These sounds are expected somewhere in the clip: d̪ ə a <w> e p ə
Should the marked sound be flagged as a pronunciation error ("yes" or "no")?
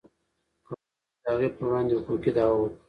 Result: yes